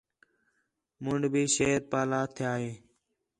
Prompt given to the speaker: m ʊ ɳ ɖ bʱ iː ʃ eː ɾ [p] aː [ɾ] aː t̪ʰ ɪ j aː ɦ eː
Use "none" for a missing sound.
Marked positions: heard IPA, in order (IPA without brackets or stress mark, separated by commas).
p, l